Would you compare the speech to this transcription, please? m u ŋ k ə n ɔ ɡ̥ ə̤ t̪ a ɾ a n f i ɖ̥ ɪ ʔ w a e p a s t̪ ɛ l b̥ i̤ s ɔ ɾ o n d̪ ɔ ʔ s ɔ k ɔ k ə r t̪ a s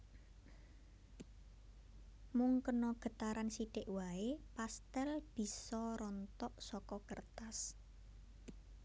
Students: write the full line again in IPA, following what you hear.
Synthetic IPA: m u ŋ k ə n ɔ ɡ̥ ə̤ t̪ a ɾ a n s i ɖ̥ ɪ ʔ w a e p a s t̪ ɛ l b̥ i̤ s ɔ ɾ ɔ n t̪ ɔ ʔ s ɔ k ɔ k ə r t̪ a s